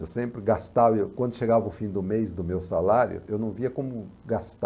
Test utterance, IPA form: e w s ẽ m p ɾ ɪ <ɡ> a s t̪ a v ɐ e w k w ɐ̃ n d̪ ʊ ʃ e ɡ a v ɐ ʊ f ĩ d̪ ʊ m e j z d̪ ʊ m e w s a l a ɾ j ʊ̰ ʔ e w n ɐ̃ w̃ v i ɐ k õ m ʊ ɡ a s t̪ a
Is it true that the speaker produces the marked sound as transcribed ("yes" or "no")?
yes